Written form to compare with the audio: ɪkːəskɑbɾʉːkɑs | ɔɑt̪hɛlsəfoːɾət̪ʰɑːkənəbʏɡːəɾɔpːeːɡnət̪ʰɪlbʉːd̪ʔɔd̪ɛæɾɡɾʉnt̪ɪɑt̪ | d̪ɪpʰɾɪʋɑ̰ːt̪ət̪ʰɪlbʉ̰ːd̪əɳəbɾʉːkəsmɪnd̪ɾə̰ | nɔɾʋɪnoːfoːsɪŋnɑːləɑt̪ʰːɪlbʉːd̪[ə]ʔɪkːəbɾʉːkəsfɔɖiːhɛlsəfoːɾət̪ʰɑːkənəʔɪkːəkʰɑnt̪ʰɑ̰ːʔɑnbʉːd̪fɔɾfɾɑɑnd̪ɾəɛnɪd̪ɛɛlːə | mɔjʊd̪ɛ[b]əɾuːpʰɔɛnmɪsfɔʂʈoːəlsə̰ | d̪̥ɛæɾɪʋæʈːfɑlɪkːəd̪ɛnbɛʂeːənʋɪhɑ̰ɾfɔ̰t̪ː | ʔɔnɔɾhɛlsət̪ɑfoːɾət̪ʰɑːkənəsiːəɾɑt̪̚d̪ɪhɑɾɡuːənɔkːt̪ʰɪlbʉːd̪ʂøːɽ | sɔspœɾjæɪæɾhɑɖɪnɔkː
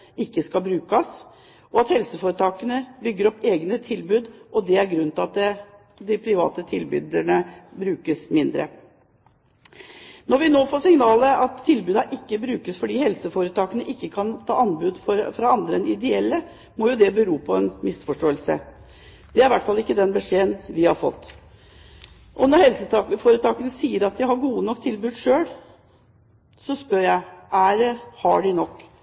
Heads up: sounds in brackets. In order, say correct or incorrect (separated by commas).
incorrect, correct